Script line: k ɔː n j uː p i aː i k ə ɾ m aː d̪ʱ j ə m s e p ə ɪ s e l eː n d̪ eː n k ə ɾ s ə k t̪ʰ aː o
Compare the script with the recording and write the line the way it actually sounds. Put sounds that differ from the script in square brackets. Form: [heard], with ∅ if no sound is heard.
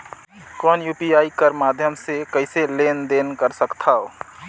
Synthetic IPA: k ɔː n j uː p i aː i k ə ɾ m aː d̪ʱ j ə m s e [k] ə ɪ s e l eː n d̪ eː n k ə ɾ s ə k t̪ʰ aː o